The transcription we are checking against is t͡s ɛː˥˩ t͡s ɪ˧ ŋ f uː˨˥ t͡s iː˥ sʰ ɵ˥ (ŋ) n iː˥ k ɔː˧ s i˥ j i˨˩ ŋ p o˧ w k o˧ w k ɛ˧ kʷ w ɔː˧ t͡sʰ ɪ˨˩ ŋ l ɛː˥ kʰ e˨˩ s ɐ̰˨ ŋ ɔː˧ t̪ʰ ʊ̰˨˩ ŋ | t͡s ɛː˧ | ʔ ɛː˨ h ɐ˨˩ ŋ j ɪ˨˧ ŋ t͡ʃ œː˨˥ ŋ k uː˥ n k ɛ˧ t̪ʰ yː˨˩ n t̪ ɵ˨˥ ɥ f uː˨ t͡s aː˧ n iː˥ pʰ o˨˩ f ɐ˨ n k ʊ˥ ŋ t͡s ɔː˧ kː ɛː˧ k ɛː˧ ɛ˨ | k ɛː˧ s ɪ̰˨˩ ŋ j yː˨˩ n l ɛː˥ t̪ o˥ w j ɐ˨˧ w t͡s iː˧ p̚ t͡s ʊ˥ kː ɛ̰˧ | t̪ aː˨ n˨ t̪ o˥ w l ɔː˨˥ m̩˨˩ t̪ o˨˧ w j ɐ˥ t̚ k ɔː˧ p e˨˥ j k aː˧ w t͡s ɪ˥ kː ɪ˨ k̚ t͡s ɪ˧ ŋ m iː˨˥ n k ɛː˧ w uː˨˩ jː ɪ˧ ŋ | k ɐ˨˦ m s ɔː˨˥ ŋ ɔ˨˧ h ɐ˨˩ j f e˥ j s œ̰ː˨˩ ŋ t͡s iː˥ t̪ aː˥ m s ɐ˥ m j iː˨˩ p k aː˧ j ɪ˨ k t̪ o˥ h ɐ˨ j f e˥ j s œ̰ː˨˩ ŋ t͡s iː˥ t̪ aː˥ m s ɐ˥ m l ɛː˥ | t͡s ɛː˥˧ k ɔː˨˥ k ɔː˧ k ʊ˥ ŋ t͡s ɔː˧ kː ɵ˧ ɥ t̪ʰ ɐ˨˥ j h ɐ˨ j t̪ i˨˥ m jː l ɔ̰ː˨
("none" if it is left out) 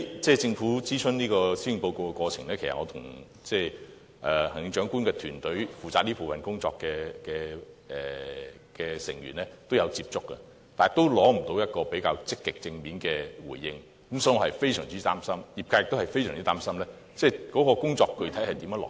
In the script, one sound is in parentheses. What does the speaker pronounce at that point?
n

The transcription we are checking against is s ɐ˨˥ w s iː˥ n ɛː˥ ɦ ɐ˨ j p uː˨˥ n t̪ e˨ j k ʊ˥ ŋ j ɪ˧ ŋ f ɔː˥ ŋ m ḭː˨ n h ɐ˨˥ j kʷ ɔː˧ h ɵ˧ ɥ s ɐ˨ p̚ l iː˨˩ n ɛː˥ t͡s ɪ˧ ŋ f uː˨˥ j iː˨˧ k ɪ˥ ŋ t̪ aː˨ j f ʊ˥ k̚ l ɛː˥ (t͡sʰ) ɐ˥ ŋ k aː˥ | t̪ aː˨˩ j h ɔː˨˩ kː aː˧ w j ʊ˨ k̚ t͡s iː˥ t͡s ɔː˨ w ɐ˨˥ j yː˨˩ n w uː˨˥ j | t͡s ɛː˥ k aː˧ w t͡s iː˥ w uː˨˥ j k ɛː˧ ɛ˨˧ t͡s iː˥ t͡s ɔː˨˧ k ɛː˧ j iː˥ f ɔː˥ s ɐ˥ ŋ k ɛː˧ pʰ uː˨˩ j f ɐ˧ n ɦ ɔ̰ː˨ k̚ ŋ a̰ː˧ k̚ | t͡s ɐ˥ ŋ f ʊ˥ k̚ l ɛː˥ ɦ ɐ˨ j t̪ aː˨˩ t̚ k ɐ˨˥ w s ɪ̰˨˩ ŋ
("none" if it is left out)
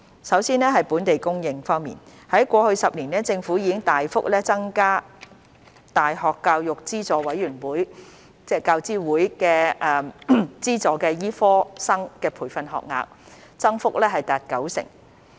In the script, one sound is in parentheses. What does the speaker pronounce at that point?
t͡s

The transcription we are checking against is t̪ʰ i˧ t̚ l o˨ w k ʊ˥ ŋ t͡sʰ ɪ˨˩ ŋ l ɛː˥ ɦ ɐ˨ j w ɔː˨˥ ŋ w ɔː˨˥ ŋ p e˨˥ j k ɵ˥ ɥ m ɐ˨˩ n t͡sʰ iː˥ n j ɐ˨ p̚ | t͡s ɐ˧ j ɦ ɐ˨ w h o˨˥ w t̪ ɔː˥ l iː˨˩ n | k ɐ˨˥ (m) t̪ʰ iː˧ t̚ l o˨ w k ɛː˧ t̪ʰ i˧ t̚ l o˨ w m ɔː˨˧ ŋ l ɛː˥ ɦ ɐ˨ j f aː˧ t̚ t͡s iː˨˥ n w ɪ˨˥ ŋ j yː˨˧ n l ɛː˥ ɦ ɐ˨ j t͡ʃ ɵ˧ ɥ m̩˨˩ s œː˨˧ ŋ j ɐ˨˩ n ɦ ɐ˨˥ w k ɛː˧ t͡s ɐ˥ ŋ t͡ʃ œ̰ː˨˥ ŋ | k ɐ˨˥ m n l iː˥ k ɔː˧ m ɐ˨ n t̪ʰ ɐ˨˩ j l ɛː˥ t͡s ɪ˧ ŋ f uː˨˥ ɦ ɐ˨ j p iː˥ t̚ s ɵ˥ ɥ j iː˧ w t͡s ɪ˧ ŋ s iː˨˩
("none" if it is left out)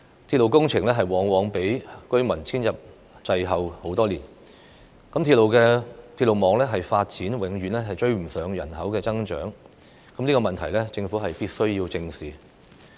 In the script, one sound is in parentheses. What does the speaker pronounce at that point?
m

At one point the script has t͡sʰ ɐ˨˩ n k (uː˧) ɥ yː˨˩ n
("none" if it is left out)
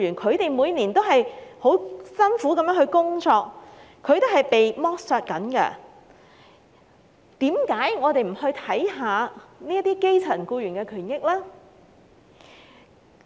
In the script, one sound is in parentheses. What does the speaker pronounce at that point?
uː˧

